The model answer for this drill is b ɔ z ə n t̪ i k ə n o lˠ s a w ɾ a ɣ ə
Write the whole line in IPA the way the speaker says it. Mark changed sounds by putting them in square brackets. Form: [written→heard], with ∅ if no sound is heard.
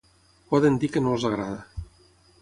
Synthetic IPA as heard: [b→p] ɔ [z→ð] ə n [t̪→d̪] i k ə n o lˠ [s→z] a [w→ɣ] ɾ a [ɣ→ð] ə